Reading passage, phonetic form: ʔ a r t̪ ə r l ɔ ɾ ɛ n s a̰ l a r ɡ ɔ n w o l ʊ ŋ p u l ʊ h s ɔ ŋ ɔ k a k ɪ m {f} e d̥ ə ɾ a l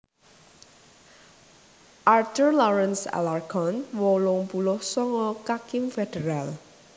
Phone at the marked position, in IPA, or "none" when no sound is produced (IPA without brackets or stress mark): f